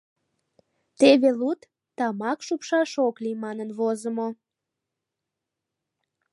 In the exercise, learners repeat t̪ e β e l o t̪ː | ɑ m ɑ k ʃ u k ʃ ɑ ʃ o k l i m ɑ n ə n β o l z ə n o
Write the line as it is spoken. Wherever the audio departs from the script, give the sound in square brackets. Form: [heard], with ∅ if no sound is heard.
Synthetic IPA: t̪ e β e l [u] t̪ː | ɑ m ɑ k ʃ u [p] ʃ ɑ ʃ o k l i m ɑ n ə n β o [∅] z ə [m] o